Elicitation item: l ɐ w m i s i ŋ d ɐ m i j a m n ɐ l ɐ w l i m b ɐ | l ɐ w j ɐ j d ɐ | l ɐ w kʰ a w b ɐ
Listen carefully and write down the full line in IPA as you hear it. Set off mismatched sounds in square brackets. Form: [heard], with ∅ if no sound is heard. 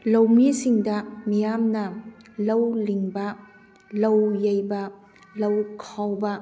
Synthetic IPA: l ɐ w m i s i ŋ d ɐ m i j a m n ɐ l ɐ w l i [ŋ] b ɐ | l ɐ w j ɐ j [b] ɐ | l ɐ w kʰ a w b ɐ